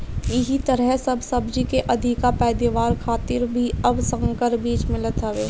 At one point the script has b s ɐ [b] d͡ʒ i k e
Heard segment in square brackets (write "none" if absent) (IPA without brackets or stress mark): b